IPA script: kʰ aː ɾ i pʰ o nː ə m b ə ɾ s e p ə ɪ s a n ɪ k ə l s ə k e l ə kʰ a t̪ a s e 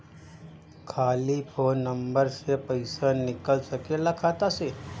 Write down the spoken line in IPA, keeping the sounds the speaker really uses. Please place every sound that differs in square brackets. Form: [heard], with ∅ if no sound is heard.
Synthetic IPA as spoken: kʰ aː [l] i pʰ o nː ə m b ə ɾ s e p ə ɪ s a n ɪ k ə l s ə k e l [a] kʰ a t̪ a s e